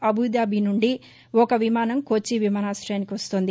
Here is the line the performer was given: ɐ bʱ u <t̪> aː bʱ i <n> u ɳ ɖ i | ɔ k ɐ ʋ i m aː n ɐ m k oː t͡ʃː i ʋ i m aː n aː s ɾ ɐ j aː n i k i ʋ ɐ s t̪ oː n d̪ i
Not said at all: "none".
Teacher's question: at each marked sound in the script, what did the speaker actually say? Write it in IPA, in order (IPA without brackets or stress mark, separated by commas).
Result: d̪, n